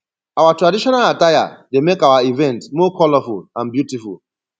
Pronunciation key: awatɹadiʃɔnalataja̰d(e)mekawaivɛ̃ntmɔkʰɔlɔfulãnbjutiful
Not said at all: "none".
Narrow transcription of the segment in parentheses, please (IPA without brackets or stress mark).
e